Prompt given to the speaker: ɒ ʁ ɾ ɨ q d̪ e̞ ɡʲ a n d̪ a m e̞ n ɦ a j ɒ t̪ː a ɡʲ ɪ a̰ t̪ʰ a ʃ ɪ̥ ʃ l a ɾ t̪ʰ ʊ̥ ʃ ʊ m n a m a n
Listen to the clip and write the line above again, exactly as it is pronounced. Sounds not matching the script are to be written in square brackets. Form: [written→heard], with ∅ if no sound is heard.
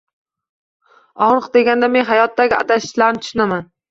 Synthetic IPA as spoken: ɒ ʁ ɾ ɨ q d̪ e̞ ɡʲ a n d̪ a m e̞ n ɦ a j ɒ t̪ː a ɡʲ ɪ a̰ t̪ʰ a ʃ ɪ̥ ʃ l a ɾ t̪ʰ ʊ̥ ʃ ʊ [m→∅] n a m a n